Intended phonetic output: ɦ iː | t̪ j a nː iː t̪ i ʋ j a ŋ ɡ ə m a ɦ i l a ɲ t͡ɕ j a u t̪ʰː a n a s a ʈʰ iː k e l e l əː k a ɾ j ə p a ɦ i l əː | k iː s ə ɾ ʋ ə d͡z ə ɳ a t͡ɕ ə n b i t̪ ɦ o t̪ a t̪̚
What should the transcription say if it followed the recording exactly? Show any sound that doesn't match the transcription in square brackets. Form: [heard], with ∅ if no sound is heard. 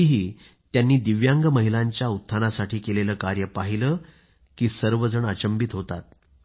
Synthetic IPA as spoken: ɦ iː | t̪ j a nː iː [d̪] i ʋ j a ŋ ɡ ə m [ə] ɦ i l a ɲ t͡ɕ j a u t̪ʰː a n a s a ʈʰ iː k e l e l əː k a ɾ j ə p a ɦ i l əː | k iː s ə ɾ ʋ ə d͡z ə ɳ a t͡ɕ ə [m] b i t̪ ɦ o t̪ a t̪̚